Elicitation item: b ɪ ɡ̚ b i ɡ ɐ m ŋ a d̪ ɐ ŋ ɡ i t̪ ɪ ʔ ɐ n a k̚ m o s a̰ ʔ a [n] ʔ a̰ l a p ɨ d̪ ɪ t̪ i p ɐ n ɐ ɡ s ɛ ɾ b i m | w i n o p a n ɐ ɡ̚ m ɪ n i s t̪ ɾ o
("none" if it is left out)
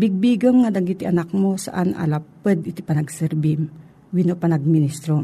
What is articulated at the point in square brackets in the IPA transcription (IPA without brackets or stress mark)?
n